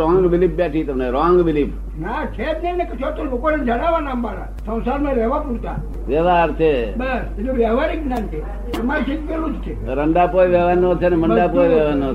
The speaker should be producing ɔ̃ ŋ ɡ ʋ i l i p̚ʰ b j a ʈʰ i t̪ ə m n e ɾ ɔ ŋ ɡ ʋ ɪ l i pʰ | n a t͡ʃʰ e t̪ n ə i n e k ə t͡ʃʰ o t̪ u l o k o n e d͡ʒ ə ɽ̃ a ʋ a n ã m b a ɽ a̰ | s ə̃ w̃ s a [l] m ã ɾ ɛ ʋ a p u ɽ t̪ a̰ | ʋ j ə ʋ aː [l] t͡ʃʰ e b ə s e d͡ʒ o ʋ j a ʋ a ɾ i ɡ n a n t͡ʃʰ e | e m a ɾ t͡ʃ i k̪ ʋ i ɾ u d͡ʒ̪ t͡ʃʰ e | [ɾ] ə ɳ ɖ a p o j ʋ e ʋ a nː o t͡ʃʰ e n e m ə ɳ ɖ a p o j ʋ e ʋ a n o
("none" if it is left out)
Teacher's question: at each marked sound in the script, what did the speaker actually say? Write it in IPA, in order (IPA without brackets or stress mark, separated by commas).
ɾ, ɾ, ɾ